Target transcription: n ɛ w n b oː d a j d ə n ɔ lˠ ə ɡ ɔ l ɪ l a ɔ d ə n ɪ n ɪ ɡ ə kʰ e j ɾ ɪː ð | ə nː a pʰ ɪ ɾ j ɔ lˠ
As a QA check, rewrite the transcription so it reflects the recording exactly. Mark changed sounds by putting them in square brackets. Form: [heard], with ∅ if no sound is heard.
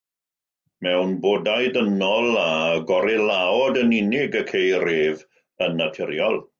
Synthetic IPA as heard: [m] ɛ w n b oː d a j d ə n ɔ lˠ [a] ɡ ɔ [ɾ] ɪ l a ɔ d ə n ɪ n ɪ ɡ ə kʰ e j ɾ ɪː [v] | ə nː a [tʰ] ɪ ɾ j ɔ lˠ